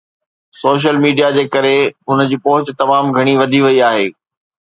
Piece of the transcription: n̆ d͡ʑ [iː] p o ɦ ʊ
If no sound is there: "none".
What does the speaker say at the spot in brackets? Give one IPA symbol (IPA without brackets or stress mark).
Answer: iː